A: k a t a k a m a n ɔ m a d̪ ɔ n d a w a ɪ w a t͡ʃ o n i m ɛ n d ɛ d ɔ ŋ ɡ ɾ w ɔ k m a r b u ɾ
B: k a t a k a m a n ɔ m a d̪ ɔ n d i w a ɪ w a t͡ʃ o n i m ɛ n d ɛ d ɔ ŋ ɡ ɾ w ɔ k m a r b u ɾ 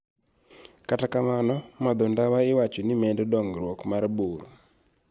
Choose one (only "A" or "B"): A